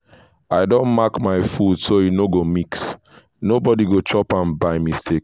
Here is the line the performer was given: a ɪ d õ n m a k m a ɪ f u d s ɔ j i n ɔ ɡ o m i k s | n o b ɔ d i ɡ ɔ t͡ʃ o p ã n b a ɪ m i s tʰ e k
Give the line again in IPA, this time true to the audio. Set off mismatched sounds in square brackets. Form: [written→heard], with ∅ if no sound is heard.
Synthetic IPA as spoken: a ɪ d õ n m a k m a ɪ f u d s [ɔ→o] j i n [ɔ→o] ɡ o m i k s | n o b ɔ d i ɡ [ɔ→o] t͡ʃ [o→ɔ] p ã n b a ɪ m i s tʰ e k